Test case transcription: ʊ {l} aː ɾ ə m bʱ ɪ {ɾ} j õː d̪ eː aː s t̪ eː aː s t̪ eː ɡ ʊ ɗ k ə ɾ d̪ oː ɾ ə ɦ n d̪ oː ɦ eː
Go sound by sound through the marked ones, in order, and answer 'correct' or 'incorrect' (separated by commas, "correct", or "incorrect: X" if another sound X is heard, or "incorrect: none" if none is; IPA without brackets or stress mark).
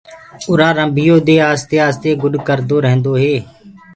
incorrect: ɾ, incorrect: none